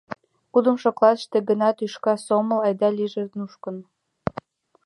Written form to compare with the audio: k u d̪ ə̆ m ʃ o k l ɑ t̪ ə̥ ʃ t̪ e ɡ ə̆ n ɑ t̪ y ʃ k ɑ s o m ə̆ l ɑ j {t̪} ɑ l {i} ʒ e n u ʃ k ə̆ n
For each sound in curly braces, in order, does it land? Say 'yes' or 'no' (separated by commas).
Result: no, yes